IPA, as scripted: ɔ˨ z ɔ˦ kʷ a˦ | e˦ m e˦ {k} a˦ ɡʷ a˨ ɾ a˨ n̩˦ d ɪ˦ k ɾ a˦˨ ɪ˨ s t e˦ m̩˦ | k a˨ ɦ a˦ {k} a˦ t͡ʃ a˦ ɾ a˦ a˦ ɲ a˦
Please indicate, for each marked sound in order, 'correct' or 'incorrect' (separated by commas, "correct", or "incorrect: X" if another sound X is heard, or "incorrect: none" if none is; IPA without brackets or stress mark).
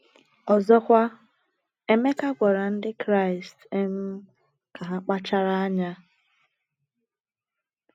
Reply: correct, incorrect: k͡p